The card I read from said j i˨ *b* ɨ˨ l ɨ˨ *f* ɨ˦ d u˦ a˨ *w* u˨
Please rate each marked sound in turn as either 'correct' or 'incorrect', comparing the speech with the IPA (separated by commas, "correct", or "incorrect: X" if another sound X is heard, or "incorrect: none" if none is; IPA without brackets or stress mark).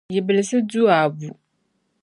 correct, incorrect: s, incorrect: b